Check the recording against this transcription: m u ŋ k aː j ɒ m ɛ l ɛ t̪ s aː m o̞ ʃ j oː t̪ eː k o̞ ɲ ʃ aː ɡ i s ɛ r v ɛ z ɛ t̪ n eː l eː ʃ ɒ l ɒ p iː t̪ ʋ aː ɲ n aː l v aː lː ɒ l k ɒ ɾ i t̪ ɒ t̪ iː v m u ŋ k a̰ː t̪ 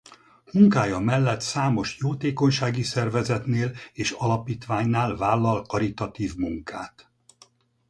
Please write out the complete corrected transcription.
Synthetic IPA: m u ŋ k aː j ɒ m ɛ lː ɛ t̪ s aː m o̞ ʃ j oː t̪ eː k o̞ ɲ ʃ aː ɡ i s ɛ r v ɛ z ɛ t̪ n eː l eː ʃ ɒ l ɒ p iː t̪ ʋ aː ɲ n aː l v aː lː ɒ l k ɒ ɾ i t̪ ɒ t̪ iː v m u ŋ k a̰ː t̪